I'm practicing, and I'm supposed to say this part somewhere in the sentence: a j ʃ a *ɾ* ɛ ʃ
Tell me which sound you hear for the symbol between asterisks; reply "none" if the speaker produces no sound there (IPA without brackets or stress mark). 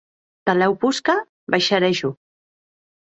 ɾ